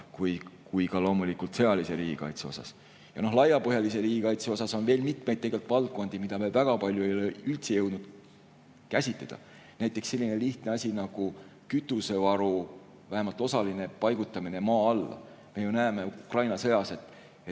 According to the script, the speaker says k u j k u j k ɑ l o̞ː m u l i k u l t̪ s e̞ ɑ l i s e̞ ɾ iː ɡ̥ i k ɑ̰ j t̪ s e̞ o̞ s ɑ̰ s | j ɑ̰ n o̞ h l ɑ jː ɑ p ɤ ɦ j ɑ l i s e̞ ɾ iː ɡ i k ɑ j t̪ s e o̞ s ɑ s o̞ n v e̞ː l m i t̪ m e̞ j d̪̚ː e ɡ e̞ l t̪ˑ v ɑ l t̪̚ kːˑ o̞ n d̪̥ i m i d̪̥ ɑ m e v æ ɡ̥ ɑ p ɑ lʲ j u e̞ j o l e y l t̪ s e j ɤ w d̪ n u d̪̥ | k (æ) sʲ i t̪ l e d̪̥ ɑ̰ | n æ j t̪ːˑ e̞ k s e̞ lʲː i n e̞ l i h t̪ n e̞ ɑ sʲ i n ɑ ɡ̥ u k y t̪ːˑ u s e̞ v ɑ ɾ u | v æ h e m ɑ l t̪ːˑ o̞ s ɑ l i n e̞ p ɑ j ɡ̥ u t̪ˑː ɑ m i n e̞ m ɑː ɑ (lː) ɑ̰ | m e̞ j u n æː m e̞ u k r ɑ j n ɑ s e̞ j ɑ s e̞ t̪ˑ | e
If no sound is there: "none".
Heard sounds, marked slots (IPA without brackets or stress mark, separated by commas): æ, lː